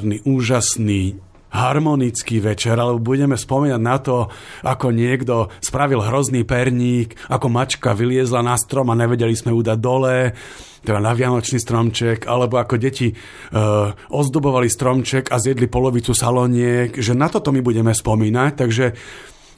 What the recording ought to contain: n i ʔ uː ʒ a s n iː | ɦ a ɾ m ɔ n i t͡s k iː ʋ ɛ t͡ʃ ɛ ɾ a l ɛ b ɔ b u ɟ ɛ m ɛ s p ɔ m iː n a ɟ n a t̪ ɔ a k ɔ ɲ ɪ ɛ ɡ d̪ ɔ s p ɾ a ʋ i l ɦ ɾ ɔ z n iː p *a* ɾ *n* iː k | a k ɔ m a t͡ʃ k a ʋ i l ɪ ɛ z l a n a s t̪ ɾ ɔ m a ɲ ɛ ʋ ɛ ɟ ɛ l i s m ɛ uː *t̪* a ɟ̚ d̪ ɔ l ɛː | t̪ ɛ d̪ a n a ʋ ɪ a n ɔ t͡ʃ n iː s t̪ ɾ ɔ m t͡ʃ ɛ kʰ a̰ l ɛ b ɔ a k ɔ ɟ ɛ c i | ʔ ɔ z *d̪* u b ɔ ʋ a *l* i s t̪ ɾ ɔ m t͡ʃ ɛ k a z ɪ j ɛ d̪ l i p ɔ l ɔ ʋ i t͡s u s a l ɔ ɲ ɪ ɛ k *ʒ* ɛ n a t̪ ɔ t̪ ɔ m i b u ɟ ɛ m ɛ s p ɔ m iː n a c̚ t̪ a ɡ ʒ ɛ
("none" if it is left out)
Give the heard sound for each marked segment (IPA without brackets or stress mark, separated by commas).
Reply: ɛ, ɲ, d̪, d̪, l, ʒ